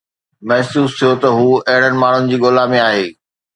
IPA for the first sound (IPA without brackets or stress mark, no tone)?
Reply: m